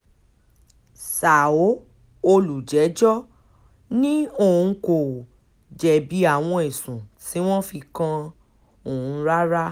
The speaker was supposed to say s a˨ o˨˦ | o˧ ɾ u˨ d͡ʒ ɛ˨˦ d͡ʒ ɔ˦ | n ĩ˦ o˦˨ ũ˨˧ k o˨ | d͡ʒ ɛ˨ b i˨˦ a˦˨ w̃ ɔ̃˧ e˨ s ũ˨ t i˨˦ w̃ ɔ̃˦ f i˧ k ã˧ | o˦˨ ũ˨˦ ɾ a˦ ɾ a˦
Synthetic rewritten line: s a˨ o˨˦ | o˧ l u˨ d͡ʒ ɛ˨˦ d͡ʒ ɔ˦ | n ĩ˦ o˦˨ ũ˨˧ k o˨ | d͡ʒ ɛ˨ b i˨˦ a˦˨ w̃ ɔ̃˧ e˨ s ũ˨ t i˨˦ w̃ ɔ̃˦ f i˧ k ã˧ | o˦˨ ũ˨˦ ɾ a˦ ɾ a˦